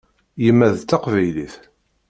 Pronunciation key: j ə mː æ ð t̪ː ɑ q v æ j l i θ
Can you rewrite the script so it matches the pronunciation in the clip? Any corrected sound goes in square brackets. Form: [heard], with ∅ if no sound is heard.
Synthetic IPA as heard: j ə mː æ ð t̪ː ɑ q v æ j l i θ